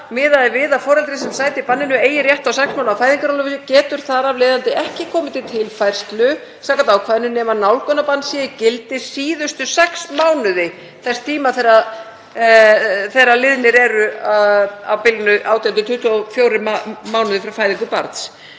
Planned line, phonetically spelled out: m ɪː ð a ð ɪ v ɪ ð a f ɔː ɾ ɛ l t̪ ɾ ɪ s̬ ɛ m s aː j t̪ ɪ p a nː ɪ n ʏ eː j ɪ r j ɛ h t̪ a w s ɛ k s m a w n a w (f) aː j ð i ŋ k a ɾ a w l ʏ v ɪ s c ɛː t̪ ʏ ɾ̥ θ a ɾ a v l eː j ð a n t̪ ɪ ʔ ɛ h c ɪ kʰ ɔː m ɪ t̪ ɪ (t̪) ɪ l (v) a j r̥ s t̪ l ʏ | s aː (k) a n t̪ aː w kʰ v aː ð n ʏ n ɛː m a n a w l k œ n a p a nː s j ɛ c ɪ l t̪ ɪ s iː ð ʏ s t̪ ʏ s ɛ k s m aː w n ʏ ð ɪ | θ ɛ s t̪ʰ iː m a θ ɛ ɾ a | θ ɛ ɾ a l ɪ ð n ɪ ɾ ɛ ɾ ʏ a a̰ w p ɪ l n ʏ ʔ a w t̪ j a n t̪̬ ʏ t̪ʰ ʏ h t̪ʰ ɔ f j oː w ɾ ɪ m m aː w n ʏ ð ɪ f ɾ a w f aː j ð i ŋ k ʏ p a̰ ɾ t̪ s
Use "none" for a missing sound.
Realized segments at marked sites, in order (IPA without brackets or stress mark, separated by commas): f, t̪ʰ, f, k